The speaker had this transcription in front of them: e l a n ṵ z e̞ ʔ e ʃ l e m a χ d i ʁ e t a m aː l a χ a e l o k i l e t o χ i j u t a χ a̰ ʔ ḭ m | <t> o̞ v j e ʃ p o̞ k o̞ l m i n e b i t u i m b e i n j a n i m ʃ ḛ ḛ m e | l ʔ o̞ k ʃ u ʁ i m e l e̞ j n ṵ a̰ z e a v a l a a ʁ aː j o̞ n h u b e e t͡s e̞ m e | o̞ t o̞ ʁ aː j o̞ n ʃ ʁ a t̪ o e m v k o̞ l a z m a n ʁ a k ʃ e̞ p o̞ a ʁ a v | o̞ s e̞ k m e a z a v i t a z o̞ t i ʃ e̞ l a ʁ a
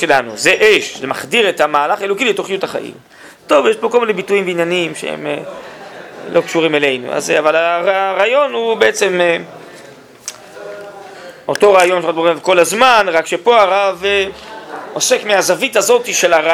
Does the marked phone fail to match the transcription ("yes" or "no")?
no